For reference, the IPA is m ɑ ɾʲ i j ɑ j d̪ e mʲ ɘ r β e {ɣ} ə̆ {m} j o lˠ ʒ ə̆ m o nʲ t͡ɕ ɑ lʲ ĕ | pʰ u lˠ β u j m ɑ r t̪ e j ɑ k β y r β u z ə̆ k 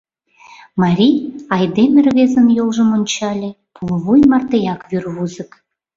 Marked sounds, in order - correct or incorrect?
incorrect, incorrect

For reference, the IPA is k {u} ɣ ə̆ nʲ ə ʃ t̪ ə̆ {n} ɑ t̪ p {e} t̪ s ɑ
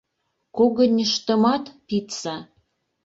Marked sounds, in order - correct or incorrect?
incorrect, incorrect, incorrect

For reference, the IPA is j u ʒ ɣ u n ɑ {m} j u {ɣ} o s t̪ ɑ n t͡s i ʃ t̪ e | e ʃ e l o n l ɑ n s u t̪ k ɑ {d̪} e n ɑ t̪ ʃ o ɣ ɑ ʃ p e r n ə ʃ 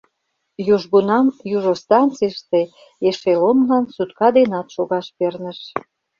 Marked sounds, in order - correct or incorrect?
correct, incorrect, correct

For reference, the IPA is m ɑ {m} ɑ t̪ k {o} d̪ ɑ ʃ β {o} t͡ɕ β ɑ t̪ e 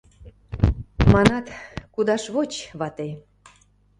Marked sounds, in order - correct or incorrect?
incorrect, incorrect, correct

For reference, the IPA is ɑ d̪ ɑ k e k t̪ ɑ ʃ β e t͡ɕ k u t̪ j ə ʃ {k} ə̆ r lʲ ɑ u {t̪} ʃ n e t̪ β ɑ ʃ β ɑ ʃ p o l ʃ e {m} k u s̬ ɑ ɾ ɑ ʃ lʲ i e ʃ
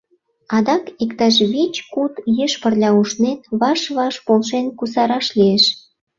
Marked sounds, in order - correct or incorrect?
incorrect, incorrect, incorrect

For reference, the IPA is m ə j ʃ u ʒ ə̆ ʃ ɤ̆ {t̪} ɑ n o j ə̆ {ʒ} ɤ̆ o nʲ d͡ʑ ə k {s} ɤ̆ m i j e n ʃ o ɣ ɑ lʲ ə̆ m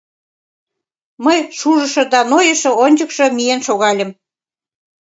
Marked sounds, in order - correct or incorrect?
incorrect, incorrect, incorrect

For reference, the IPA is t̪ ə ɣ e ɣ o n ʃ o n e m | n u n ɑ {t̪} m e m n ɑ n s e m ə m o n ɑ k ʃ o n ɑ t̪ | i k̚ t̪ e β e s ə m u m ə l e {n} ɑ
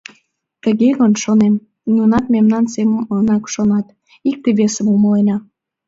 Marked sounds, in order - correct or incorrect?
correct, correct

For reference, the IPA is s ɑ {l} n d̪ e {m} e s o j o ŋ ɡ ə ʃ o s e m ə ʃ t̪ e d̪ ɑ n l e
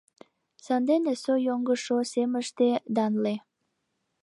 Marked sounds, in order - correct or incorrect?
incorrect, incorrect

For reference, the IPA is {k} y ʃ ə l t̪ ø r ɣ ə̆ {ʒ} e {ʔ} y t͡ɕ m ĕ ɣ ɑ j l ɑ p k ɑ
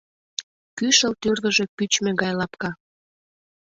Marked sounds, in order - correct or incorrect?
correct, correct, incorrect

